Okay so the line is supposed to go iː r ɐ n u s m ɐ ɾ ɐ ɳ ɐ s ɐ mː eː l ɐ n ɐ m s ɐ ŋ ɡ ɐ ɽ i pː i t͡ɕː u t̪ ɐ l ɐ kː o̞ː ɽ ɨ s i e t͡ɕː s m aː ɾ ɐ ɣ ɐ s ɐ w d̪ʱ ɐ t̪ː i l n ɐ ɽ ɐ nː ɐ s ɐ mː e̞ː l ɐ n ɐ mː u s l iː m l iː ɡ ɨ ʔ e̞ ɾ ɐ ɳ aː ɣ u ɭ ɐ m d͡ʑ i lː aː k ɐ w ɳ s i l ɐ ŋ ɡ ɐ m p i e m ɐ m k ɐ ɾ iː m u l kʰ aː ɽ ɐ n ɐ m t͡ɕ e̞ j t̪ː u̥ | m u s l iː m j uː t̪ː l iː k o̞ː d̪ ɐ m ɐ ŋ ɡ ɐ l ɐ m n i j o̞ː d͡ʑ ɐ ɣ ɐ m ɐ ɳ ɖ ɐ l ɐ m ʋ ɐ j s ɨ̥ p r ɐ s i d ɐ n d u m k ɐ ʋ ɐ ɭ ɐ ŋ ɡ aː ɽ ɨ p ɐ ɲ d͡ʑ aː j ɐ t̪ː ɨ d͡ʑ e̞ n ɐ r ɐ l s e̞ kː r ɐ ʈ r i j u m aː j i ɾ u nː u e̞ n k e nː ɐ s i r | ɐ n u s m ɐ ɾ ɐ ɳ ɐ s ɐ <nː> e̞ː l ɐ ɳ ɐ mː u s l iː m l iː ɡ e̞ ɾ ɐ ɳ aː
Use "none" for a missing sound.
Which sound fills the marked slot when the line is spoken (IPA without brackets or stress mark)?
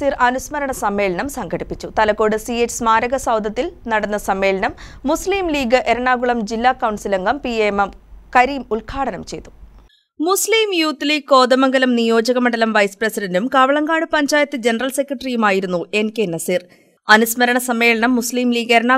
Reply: mː